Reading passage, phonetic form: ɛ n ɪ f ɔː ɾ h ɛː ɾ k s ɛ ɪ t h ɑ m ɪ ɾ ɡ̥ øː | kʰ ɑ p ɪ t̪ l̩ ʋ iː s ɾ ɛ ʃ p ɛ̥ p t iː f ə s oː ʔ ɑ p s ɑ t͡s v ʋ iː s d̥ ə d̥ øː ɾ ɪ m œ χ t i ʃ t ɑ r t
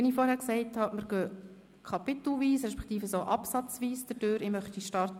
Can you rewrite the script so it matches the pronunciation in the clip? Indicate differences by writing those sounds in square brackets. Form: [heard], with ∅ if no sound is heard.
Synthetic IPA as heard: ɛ n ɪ f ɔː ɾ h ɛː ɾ k s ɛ ɪ t h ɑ m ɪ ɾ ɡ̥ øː | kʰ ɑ p ɪ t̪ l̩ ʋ iː s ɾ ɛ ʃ p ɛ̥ [k] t iː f ə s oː ʔ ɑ p s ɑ t͡s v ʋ iː s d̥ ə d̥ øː ɾ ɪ m œ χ t i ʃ t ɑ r t